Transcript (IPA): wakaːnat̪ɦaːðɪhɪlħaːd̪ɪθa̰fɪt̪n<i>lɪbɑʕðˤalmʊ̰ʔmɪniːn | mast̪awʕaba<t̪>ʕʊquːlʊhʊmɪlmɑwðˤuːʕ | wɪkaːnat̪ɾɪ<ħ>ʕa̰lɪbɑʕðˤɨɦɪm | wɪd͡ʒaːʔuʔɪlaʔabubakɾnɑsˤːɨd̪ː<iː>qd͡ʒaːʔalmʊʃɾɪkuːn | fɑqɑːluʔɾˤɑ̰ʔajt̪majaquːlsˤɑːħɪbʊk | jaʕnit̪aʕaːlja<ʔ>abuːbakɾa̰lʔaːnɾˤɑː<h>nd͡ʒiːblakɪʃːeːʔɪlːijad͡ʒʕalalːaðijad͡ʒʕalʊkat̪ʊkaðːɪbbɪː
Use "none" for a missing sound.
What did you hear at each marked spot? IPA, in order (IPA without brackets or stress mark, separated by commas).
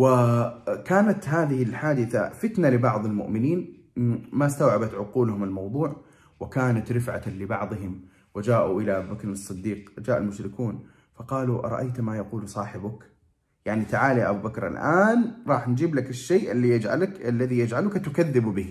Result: a, t̪, f, iː, ʔ, ħ